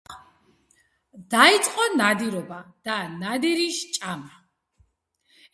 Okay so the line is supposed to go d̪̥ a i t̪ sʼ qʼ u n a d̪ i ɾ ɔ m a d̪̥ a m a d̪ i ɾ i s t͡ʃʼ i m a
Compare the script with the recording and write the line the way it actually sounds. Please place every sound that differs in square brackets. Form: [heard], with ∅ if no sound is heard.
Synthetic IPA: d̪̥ a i t̪ sʼ qʼ [ɔ] n a d̪ i ɾ ɔ [b] a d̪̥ a [n] a d̪ i ɾ i [ʃ] t͡ʃʼ [a] m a